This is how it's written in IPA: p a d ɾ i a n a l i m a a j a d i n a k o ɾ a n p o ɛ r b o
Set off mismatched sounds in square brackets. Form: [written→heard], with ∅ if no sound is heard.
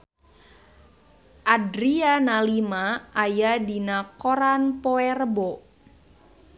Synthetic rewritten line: [p→ʔ] a d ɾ i a n a l i m a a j a d i n a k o ɾ a n p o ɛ r b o